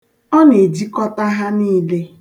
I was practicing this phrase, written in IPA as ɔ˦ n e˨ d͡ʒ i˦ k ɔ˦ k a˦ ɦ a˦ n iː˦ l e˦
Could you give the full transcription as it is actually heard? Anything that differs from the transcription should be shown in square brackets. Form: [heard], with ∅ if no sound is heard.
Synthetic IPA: ɔ˦ n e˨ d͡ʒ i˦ k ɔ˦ [t] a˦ ɦ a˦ n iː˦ l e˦